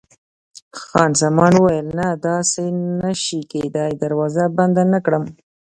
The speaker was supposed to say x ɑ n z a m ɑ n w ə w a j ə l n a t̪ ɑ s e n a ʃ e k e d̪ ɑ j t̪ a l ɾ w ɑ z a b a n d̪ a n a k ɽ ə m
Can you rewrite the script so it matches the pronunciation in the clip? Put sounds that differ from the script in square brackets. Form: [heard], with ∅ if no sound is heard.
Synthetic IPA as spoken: x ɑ n z a m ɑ n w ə w a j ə l n a [d̪] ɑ s e n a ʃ [i] k e d̪ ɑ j [d̪] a [∅] ɾ w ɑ z a b a n d̪ a n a k ɽ ə m